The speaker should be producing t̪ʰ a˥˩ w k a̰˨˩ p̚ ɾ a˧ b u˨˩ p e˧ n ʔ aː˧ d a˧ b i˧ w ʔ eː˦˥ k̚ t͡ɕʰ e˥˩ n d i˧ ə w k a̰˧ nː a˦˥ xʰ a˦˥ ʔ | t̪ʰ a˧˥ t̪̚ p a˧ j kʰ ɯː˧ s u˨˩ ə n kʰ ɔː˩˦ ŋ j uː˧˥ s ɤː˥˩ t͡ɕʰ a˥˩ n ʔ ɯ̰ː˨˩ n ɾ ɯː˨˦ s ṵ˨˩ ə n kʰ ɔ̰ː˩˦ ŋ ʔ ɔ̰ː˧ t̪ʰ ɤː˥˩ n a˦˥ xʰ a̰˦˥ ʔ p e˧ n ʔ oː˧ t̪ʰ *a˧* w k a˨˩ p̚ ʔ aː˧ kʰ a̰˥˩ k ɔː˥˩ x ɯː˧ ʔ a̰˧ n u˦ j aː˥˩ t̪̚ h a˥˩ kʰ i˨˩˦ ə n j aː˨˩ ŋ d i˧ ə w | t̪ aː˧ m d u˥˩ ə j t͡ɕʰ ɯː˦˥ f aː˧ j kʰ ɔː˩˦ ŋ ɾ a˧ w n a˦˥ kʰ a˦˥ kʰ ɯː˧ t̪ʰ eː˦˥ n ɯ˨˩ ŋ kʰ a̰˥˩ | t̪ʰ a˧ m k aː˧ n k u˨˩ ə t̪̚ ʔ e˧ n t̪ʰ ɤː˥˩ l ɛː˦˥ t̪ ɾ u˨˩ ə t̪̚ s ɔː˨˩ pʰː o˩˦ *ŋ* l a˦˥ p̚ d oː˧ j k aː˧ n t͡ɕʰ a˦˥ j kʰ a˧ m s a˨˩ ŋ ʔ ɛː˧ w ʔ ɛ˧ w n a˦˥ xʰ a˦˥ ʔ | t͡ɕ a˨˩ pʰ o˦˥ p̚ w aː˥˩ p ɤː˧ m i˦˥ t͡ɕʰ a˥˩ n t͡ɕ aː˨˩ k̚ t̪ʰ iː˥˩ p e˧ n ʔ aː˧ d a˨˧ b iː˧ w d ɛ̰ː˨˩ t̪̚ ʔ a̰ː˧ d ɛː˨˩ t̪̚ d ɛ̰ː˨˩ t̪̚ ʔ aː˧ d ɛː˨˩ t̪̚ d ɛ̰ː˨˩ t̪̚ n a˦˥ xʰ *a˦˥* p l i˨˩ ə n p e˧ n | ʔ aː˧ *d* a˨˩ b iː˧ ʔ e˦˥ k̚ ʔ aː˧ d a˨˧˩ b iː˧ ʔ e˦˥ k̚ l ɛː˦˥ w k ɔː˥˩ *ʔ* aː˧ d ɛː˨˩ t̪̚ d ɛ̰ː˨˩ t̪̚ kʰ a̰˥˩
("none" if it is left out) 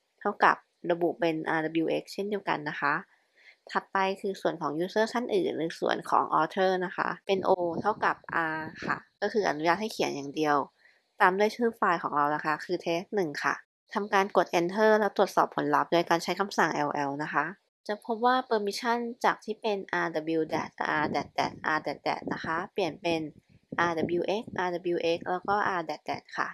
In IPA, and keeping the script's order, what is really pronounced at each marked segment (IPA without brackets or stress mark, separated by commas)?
a˥˩, n, a˦˥, d, ʔ